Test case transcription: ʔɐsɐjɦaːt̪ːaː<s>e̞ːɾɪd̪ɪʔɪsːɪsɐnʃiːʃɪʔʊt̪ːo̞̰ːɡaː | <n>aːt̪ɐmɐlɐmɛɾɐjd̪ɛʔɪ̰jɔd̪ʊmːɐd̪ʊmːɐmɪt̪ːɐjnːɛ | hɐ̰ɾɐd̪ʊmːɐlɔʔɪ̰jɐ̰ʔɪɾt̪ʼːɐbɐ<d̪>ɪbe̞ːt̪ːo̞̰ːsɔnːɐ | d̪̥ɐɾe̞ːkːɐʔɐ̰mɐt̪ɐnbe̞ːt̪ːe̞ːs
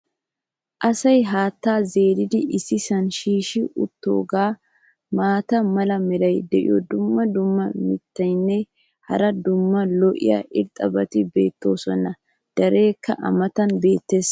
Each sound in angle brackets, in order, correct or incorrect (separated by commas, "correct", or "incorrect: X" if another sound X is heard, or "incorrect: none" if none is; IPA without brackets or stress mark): incorrect: z, incorrect: m, incorrect: t̪